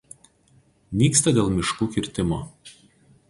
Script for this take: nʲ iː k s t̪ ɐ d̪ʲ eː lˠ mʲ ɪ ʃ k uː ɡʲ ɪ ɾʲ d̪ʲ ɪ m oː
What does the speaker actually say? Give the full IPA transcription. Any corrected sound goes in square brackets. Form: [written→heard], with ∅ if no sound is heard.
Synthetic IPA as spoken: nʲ iː k s t̪ ɐ d̪ʲ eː lˠ mʲ ɪ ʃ k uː [ɡʲ→kʲ] ɪ ɾʲ [d̪ʲ→t̪ʲ] ɪ m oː